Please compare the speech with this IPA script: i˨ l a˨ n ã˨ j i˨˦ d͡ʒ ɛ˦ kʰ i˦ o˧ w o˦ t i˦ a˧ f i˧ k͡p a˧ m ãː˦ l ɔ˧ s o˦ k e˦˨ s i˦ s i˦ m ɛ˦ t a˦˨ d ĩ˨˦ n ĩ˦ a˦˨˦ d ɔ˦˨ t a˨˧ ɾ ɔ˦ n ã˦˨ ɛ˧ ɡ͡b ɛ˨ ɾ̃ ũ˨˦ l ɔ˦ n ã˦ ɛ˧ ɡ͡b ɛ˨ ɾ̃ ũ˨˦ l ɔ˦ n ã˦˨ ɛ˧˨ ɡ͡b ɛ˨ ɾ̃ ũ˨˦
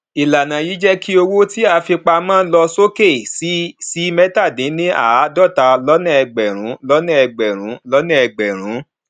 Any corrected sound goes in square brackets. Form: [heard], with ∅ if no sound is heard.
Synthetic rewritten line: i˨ l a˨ n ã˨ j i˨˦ d͡ʒ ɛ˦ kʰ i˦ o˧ w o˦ t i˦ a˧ f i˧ k͡p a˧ m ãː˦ l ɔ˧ s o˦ k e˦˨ s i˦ s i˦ m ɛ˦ t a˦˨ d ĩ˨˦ n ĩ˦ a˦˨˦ d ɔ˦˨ t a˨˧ [l] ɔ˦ n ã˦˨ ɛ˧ ɡ͡b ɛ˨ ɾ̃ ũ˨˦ l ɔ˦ n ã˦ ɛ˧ ɡ͡b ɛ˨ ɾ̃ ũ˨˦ l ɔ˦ n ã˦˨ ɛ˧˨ ɡ͡b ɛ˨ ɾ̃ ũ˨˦